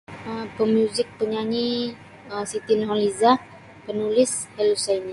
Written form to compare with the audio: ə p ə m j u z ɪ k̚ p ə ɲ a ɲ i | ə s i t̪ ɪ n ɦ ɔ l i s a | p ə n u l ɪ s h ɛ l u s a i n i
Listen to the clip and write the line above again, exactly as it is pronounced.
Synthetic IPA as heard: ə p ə m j u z ɪ k̚ p ə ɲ a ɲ i | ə s i t̪ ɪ n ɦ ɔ l i z a | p ə n u l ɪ s h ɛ l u s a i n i

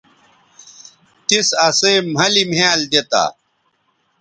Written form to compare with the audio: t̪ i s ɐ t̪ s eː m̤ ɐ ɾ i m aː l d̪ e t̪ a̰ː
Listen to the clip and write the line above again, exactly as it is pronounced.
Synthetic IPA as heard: t̪ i s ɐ s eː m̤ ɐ l i m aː l d̪ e t̪ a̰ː

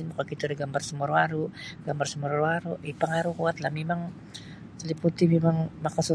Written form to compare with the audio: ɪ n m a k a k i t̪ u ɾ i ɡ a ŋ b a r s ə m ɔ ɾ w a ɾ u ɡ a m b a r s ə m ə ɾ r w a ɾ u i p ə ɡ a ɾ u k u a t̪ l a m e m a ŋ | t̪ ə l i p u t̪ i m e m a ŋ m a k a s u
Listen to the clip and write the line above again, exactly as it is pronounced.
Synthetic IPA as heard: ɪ n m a k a k i t̪ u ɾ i ɡ a m b a r s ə m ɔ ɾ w a ɾ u ɡ a m b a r s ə m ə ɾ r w a ɾ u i p ə ŋ a ɾ u k u a t̪ l a m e m a ŋ | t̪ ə l i p u t̪ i m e m a ŋ m a k a s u

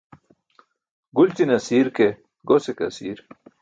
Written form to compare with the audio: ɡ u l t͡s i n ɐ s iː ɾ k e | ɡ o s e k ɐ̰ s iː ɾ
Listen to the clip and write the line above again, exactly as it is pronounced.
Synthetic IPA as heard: ɡ u l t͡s i n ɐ s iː ɾ k e | ɡ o s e k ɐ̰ s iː ɾ

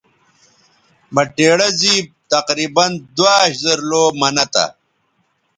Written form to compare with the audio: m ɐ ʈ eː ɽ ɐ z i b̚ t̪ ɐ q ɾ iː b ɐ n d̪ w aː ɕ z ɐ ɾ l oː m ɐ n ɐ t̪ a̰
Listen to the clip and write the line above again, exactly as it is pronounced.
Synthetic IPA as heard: m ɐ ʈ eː ɽ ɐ z i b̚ t̪ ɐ q ɾ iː b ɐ n d̪ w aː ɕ z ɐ ɾ l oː m ɐ n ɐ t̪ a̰

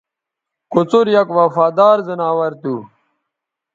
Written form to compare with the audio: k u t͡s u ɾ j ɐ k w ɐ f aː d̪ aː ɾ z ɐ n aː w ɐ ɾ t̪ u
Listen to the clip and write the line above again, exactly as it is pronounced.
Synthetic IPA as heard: k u t͡s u ɾ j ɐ k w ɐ f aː d̪ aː ɾ z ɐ n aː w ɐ ɾ t̪ u

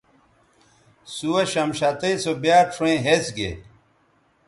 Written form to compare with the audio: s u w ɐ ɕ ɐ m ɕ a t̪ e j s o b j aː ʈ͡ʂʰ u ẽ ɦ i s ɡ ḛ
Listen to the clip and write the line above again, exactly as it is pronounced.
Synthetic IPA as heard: s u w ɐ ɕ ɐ m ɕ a t̪ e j s o b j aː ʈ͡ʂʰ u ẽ ɦ e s ɡ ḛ

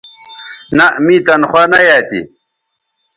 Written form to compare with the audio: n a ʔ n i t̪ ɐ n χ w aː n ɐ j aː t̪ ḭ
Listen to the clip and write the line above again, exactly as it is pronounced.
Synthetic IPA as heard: n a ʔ m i t̪ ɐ n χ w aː n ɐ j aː t̪ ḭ

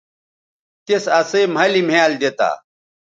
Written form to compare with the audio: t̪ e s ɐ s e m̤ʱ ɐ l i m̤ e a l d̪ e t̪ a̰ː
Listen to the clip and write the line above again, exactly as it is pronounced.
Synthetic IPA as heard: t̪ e s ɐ s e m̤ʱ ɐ l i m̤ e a l d̪ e t̪ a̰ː

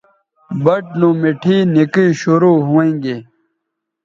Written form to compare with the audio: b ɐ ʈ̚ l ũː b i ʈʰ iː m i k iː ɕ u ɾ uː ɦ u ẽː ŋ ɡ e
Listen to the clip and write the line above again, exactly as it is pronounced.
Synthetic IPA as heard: b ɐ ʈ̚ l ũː m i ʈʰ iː n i k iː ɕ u ɾ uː ɦ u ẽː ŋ ɡ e

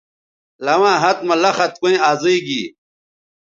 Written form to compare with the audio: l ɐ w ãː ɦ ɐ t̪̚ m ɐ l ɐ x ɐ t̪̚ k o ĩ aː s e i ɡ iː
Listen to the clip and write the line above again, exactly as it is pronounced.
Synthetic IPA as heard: l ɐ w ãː ɦ ɐ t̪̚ m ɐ l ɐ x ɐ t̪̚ k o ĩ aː z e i ɡ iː

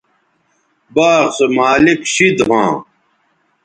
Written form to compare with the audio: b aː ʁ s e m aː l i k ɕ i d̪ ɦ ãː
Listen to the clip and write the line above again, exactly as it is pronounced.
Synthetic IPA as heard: b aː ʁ s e m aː l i k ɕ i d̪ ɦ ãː

